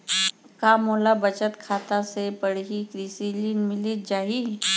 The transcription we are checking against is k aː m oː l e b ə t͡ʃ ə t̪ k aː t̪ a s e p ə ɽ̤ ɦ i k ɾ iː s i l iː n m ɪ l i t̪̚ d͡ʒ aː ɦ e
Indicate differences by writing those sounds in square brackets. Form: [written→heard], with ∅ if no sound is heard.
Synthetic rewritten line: k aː m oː l [e→a] b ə t͡ʃ ə t̪ [k→kʰ] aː t̪ a s e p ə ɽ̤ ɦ i k ɾ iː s i l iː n m ɪ l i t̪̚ d͡ʒ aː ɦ [e→i]